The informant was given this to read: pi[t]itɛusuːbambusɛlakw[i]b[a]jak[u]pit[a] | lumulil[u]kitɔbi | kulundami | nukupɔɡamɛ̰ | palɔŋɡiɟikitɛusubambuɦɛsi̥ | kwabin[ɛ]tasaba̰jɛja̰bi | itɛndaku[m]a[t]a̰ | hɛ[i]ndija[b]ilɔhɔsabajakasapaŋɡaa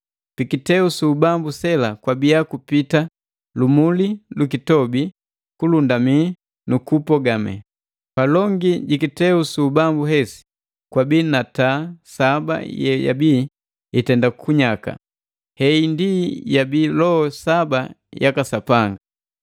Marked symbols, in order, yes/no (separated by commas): no, no, no, yes, yes, yes, no, no, no, yes, yes